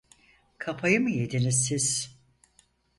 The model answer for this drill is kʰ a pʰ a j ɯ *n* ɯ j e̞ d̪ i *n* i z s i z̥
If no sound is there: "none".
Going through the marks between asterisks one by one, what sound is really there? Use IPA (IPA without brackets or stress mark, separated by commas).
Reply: m, n